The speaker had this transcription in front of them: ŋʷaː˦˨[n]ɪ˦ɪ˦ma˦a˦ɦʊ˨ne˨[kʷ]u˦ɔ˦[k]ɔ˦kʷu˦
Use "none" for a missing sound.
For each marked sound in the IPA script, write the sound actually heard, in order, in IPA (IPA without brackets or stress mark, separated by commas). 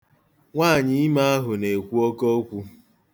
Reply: ɲ, kʷ, k